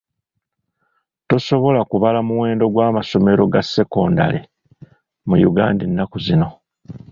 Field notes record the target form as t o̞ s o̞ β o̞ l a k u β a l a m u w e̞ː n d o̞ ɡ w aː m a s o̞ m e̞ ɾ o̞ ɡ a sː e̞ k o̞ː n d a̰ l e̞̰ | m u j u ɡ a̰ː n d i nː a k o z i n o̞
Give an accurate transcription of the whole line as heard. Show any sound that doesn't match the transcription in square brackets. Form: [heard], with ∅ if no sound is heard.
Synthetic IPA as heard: t o̞ s o̞ β o̞ l a k u β a l a m u w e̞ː n d o̞ ɡ w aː m a s o̞ m e̞ ɾ o̞ ɡ a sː e̞ k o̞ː n d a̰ l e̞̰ | m u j u ɡ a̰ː n d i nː a k [u] z i n o̞